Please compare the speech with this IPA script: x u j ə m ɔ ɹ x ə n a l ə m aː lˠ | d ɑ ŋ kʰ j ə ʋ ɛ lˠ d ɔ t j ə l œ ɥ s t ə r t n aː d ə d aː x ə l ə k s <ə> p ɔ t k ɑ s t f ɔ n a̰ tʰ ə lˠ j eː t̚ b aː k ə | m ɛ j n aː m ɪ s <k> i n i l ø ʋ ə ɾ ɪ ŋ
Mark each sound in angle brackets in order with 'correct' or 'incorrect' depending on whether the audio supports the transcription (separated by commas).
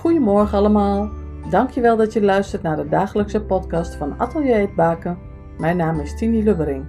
correct, incorrect